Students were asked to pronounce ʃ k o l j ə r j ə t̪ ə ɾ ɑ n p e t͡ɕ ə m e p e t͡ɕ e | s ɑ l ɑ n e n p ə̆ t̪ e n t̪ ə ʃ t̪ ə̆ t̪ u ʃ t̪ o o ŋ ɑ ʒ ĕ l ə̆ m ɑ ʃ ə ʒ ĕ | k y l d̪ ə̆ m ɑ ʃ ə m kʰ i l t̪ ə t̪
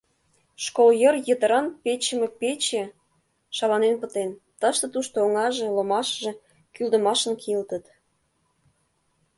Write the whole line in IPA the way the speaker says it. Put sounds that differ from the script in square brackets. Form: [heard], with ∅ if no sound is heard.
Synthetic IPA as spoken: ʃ k o l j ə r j ə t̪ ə ɾ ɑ n p e t͡ɕ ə m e p e t͡ɕ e | [ʃ] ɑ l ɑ n e n p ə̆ t̪ e n t̪ ə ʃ t̪ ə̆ t̪ u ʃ t̪ o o ŋ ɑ ʒ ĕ l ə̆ m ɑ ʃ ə ʒ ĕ | k y l d̪ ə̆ m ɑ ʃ ə [n] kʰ i l t̪ ə t̪

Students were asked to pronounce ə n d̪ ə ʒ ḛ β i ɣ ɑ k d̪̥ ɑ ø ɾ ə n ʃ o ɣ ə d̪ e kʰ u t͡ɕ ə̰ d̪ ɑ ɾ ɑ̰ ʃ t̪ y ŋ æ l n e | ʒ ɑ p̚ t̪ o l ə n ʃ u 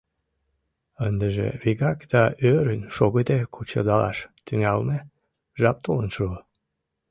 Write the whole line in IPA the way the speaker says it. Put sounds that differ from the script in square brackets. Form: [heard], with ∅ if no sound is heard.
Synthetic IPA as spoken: ə n d̪ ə ʒ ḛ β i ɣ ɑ k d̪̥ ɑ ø ɾ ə n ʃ o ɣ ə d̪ e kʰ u t͡ɕ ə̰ d̪ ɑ [l] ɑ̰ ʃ t̪ y ŋ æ l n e | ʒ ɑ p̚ t̪ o l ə n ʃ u

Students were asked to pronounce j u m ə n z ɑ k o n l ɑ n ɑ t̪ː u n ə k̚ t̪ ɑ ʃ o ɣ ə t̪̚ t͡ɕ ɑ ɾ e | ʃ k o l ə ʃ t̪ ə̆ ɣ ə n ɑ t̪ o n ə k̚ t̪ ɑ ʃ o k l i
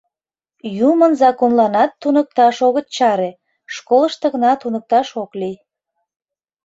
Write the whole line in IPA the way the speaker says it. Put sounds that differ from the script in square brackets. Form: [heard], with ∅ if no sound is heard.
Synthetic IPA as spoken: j u m ə n z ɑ k o n l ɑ n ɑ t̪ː u n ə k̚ t̪ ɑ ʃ o ɣ ə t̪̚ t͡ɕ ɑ ɾ e | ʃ k o l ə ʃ t̪ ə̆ ɣ ə n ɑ t̪ [u] n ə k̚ t̪ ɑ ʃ o k l i

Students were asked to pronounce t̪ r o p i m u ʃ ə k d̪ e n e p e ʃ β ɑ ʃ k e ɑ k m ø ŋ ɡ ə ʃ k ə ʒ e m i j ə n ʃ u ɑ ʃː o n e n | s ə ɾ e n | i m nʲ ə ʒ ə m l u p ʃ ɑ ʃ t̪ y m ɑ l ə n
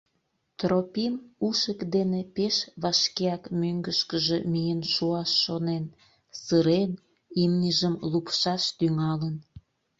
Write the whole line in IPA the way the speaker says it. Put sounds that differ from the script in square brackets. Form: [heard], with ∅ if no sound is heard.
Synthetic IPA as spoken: t̪ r o p i m u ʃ ə k d̪ e n e p e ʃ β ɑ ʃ k e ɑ k m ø ŋ ɡ ə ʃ k ə ʒ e m i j ə n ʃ u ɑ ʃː o n e n | s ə ɾ e n | i m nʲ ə ʒ ə m l u p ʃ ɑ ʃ t̪ y [ŋ] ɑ l ə n

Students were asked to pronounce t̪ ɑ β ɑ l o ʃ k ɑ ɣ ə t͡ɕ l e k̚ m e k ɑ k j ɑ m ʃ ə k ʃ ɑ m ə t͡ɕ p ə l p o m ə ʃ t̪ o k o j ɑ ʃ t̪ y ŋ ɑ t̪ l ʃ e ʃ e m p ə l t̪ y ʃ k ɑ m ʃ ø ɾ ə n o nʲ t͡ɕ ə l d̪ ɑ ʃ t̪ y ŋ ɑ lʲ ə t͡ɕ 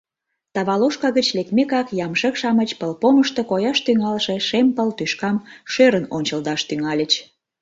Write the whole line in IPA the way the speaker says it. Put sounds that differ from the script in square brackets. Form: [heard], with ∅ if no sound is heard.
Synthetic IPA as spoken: t̪ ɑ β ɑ l o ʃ k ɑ ɣ ə t͡ɕ l e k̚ m e k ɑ k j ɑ m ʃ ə k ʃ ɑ m ə t͡ɕ p ə l p o m ə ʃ t̪ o k o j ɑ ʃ t̪ y ŋ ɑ [∅] l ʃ e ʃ e m p ə l t̪ y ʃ k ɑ m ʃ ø ɾ ə n o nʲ t͡ɕ ə l d̪ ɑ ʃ t̪ y ŋ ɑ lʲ ə t͡ɕ

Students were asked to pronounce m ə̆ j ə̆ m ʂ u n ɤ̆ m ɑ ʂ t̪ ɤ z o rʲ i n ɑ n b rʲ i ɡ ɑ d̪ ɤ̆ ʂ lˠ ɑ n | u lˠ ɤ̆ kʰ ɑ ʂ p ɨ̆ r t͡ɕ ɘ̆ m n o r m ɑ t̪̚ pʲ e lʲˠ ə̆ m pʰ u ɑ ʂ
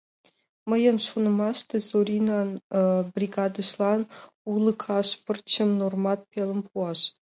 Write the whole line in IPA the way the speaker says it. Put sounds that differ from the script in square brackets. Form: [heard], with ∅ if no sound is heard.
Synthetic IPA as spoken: m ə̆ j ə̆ [n] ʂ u n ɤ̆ m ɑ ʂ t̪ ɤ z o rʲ i n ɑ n b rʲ i ɡ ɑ d̪ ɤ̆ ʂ lˠ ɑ n | u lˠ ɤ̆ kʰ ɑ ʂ p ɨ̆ r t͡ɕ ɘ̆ m n o r m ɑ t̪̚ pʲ e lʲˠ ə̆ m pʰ u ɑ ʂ

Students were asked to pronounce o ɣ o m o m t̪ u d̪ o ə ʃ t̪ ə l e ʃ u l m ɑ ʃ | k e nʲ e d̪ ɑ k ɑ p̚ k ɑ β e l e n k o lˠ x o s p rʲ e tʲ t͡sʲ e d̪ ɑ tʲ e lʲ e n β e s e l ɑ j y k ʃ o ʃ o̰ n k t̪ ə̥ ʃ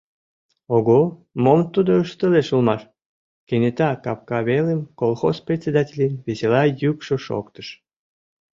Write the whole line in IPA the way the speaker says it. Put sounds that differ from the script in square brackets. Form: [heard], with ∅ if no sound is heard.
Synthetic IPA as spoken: o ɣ o m o m t̪ u d̪ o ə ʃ t̪ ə l e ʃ u l m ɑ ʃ | k e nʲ e [t̪] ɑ k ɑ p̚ k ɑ β e l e [m] k o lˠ x o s p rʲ e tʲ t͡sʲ e d̪ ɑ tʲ e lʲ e n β e s e l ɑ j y k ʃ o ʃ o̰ [∅] k t̪ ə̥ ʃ

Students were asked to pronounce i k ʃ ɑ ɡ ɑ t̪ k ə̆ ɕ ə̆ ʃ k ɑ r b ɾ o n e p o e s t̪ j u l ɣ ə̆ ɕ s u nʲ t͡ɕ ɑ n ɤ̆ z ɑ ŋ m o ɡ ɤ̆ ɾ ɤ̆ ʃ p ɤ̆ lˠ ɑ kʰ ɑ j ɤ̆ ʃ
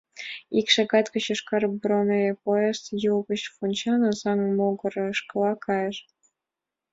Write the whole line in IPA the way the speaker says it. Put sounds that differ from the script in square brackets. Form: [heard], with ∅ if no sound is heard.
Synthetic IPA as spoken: i k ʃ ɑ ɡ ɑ t̪ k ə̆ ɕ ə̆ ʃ k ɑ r b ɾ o n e p o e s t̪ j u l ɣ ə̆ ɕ [f] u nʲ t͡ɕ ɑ n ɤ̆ z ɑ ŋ m o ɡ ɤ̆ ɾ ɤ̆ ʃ [k] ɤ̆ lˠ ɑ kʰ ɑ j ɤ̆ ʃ

